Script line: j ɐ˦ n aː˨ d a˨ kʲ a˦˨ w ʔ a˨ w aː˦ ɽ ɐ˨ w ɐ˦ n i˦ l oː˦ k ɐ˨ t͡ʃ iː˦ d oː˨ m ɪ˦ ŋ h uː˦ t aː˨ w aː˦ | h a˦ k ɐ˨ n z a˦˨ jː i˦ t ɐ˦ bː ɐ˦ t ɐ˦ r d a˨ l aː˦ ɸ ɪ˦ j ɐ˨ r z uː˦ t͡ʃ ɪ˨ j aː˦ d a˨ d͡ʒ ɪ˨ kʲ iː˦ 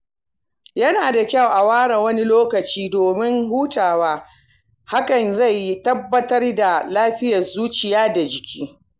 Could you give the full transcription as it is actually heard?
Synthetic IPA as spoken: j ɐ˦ n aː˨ d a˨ kʲ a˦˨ w ʔ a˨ w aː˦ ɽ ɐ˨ w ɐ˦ n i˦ l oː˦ k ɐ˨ t͡ʃ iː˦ d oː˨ m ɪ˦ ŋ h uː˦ t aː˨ w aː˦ | h a˦ k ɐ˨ n z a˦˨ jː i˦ t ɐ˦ bː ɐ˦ t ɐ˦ r d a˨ l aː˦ ɸ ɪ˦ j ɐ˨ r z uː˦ t͡ʃ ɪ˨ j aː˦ d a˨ d͡ʒ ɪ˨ kʲ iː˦

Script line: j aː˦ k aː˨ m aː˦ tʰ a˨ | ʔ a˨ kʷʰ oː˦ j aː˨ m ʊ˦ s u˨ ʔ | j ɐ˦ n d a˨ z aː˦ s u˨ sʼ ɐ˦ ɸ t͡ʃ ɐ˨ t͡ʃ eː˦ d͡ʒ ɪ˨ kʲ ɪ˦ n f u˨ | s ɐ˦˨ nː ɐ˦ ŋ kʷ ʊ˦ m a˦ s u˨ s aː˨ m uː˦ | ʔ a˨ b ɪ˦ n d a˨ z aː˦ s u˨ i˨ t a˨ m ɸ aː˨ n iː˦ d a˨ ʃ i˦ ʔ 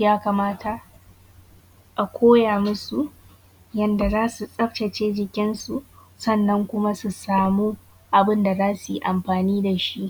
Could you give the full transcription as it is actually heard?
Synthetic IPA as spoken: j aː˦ k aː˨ m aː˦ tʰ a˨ | ʔ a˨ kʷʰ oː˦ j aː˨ m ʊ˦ s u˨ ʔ | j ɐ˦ n d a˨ z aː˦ s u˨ sʼ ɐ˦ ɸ t͡ʃ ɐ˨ t͡ʃ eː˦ d͡ʒ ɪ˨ kʲ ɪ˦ n s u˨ | s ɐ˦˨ nː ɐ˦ ŋ kʷ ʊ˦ m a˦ s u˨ s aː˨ m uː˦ | ʔ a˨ b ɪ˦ n d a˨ z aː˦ s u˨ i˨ ʔ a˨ m ɸ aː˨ n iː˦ d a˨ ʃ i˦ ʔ

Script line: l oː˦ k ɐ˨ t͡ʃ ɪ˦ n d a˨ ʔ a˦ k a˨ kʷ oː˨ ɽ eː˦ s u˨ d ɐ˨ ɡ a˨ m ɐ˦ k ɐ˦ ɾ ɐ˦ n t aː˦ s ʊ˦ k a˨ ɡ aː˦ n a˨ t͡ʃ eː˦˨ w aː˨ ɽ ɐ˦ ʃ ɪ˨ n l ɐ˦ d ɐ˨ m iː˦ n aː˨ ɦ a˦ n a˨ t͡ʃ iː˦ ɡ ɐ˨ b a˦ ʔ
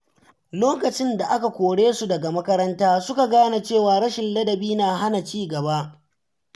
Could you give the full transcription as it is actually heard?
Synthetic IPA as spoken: l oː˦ k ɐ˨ t͡ʃ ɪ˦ n d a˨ ʔ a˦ k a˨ kʷ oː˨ ɽ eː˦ s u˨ d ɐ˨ ɡ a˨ m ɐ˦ k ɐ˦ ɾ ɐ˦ n t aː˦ s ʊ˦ k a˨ ɡ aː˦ n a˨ t͡ʃ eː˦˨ w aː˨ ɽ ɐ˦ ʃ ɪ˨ n l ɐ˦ d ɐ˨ b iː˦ n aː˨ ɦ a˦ n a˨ t͡ʃ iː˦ ɡ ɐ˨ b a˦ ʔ

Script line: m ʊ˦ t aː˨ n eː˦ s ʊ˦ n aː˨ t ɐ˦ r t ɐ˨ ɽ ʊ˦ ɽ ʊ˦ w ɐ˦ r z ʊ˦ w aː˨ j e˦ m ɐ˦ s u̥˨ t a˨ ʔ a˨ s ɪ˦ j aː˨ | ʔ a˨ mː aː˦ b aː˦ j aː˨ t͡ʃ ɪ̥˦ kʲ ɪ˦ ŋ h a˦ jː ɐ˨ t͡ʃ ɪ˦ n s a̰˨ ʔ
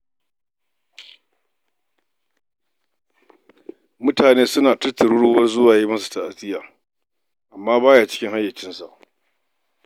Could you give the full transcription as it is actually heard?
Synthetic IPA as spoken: m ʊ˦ t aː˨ n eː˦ s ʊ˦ n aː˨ t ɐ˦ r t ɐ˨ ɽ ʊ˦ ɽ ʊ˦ w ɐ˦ r z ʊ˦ w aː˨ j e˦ m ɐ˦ s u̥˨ t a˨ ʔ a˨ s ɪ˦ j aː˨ | ʔ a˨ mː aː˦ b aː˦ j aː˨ t͡ʃ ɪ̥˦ kʲ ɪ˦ ŋ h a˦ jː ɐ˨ t͡ʃ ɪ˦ n s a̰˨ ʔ

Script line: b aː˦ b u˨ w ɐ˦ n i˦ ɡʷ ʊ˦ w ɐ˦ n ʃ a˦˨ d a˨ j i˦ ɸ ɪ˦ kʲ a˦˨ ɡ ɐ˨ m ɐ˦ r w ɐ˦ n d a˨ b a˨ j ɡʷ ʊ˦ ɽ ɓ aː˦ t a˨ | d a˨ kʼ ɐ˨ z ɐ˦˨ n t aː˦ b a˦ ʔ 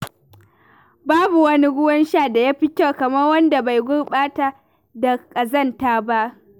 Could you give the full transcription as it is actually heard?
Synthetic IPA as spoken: b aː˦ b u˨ w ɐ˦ n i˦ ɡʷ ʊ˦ w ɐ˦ n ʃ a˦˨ d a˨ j a˦ ɸ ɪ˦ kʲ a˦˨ k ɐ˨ m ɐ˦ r w ɐ˦ n d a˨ b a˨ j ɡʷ ʊ˦ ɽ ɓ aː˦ t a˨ | d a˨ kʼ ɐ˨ z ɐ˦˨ n t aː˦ b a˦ ʔ

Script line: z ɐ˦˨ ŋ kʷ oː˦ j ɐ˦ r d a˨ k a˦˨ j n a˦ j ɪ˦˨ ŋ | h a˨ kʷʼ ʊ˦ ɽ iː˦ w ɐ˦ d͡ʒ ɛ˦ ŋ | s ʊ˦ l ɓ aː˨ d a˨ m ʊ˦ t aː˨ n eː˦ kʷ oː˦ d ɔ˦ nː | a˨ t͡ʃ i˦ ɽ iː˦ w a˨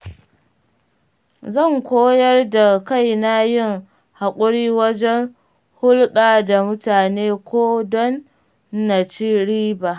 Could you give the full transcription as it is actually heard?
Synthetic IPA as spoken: z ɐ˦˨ ŋ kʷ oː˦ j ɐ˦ r d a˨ k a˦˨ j n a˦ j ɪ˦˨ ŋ | h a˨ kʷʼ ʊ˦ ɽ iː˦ w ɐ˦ d͡ʒ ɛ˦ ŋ | h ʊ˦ l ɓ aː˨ d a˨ m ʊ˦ t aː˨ n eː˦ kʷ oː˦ d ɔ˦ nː | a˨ t͡ʃ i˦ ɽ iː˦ b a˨

